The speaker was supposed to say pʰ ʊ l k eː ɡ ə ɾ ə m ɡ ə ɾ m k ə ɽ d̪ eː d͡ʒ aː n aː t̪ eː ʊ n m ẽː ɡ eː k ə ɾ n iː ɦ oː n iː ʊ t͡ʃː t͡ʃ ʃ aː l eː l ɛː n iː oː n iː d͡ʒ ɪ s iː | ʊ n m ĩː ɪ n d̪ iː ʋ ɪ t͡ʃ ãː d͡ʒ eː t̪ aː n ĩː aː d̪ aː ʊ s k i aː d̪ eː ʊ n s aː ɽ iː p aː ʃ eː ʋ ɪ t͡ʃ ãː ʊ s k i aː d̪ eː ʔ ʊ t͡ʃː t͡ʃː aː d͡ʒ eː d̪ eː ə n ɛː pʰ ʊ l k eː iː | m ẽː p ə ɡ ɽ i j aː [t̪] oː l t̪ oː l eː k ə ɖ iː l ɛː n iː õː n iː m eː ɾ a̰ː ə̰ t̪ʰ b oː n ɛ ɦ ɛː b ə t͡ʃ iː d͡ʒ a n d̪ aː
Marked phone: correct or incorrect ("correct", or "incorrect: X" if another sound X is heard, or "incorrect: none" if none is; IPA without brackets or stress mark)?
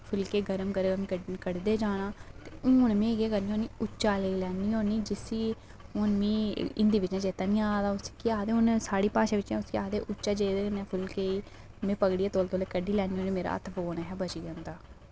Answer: correct